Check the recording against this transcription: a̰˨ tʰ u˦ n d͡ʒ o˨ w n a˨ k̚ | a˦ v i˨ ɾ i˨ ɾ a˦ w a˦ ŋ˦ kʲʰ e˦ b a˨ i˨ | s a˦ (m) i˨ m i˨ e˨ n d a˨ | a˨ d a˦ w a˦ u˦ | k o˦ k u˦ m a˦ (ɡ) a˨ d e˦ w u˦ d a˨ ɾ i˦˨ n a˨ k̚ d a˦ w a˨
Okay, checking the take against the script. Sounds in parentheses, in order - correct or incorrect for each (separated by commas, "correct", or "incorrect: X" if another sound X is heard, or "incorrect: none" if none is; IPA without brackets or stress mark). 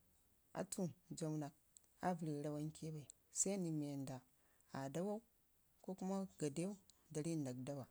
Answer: incorrect: n, correct